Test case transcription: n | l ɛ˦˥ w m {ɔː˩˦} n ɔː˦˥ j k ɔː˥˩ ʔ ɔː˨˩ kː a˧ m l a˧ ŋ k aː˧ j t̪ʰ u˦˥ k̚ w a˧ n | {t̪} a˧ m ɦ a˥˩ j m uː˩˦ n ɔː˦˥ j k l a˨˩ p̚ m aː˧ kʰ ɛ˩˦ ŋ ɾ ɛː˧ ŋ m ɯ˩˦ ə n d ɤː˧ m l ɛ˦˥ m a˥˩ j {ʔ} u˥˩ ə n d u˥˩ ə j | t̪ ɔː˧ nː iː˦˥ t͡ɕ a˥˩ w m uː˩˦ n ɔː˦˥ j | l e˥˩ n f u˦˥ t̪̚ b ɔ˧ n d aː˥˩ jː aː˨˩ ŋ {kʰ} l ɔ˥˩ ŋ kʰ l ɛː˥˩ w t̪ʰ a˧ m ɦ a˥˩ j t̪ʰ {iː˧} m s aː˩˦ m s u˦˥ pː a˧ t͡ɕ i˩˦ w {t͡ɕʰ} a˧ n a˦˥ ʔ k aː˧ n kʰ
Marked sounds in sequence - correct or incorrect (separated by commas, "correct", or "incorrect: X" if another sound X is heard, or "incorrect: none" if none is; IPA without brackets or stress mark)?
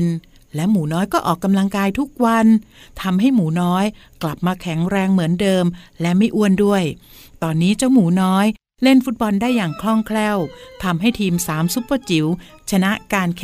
incorrect: uː˩˦, incorrect: t̪ʰ, correct, correct, correct, correct